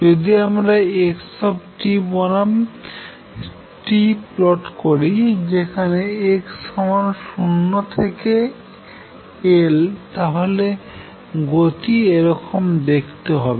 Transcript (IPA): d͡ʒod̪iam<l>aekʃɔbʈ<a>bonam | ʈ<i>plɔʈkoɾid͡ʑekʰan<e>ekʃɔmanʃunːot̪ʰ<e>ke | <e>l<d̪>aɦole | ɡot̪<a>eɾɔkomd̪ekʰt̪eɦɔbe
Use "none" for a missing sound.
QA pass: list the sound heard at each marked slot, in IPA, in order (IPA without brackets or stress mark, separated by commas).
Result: ɾ, i, i, e, e, e, t̪, i